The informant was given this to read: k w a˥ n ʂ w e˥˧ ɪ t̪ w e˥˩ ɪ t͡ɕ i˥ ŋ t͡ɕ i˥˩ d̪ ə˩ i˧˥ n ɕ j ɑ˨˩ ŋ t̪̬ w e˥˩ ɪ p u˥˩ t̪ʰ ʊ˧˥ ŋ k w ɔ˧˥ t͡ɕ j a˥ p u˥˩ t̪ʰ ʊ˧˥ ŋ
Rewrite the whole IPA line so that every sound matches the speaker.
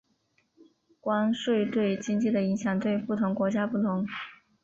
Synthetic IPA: k w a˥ n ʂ w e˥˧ ɪ t̪ w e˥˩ ɪ t͡ɕ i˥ ŋ t͡ɕ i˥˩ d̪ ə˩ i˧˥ ŋ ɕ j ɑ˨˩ ŋ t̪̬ w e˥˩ ɪ p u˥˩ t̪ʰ ʊ˧˥ ŋ k w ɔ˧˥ t͡ɕ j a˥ p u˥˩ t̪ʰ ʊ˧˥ ŋ